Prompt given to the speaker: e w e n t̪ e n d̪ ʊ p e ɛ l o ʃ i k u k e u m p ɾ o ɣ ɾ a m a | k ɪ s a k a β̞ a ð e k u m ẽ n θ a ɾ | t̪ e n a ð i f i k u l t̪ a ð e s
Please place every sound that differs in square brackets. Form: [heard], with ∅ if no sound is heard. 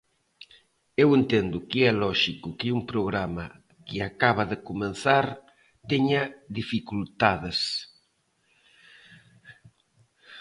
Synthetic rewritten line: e w e n t̪ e n d̪ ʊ [k] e ɛ l [ɔ] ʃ i k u k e u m p ɾ o ɣ ɾ a m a | k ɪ [∅] a k a β̞ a ð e k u m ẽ n θ a ɾ | t̪ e [ɲ] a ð i f i k u l t̪ a ð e s